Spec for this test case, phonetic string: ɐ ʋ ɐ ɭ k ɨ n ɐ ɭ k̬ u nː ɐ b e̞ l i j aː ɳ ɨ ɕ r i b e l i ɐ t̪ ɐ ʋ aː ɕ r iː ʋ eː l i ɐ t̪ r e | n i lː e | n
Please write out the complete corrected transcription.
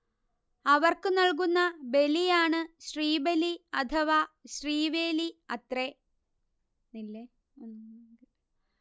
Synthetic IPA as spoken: ɐ ʋ ɐ r k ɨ n ɐ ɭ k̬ u nː ɐ b e̞ l i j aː ɳ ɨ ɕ r iː b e l i ɐ t̪ʰ ɐ ʋ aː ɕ r iː ʋ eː l i ɐ t̪ r e | n i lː e | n